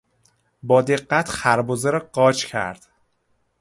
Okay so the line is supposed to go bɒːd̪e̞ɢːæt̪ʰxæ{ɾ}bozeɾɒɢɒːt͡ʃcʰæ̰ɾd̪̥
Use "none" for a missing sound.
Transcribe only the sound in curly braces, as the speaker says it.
ɾ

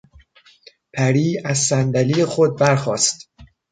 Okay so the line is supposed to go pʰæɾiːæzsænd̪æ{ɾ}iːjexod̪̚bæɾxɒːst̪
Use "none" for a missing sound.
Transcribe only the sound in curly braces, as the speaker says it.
l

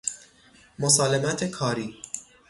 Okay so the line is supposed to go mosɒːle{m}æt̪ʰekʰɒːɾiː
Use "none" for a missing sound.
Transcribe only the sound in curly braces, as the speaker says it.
m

